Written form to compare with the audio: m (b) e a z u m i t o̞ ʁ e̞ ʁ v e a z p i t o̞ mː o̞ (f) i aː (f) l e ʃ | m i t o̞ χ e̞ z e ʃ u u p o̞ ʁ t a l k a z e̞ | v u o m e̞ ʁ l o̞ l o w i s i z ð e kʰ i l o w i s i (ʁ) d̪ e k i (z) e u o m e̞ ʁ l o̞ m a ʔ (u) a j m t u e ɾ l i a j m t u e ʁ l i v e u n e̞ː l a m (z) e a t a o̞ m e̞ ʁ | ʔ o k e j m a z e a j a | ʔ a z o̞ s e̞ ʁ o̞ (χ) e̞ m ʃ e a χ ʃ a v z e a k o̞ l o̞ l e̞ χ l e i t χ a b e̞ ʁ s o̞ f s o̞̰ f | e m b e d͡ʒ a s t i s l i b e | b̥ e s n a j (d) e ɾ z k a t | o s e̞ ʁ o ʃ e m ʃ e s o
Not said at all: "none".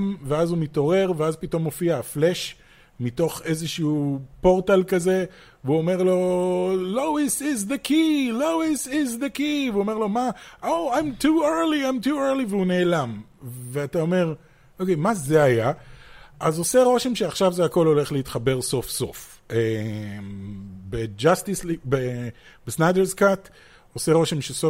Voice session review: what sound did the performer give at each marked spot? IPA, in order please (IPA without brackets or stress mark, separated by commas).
v, f, f, z, v, o, v, ʃ, d